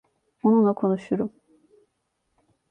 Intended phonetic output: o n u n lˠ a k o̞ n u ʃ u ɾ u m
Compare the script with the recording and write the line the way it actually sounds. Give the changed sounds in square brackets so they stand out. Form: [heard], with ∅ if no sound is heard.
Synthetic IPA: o n u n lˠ a [kʰ] o̞ n u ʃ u ɾ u m

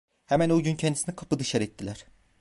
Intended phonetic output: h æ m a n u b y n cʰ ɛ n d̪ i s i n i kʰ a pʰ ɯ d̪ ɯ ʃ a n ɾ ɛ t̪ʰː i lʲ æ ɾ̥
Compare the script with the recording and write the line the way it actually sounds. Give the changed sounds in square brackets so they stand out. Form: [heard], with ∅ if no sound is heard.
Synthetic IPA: h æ m [æ] n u [ɟ] y n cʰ ɛ n d̪ i s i n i kʰ a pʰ ɯ d̪ ɯ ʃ a [∅] ɾ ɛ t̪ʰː i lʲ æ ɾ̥

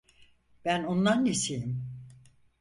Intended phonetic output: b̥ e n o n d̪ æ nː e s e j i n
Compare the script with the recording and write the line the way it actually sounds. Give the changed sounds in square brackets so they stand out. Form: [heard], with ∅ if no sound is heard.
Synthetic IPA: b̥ [æ] n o n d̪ [a] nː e s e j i [m]

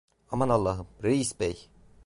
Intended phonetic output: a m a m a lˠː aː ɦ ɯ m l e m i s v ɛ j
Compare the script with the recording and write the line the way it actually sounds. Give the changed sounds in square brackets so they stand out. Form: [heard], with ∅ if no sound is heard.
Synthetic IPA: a m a [n] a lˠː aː ɦ ɯ m [ɾ] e [∅] i s [b] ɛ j

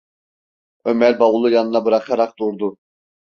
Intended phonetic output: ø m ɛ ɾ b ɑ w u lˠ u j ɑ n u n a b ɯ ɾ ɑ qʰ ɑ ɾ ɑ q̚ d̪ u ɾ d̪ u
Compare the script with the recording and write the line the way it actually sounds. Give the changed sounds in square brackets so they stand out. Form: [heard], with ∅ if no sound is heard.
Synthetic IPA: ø m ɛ ɾ b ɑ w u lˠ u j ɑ n [ɯ] n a b ɯ ɾ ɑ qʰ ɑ ɾ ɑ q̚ d̪ u ɾ d̪ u

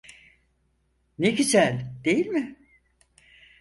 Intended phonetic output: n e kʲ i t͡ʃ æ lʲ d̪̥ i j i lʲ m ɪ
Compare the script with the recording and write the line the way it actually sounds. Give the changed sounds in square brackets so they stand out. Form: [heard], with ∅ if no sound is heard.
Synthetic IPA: n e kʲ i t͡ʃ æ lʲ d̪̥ [e] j i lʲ m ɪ

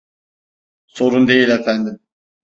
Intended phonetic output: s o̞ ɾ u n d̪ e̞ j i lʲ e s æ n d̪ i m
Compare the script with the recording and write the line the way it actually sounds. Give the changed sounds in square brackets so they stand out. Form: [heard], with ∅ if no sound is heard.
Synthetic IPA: s o̞ ɾ u n d̪ e̞ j i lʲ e [f] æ n d̪ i m

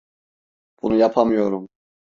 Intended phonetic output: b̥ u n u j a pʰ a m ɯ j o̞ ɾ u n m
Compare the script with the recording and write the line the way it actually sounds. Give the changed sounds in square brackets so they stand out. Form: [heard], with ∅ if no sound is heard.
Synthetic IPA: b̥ u n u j a pʰ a m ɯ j o̞ ɾ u [∅] m

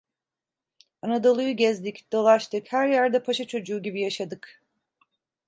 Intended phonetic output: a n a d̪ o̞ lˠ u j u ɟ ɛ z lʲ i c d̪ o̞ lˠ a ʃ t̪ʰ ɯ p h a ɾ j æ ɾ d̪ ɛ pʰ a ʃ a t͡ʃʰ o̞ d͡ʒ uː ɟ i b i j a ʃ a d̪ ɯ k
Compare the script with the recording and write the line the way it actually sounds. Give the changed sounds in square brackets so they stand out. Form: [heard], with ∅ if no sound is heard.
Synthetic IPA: a n a d̪ o̞ lˠ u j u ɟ ɛ z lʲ i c d̪ o̞ lˠ a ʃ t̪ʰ ɯ [k] h [æ] ɾ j æ ɾ d̪ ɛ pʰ a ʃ a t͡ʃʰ o̞ d͡ʒ uː ɟ i b i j a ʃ a d̪ ɯ k

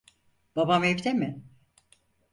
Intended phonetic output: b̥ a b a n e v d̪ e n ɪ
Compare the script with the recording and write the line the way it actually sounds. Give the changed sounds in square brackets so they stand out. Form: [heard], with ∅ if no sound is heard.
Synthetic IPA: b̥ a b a [m] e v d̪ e [m] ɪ

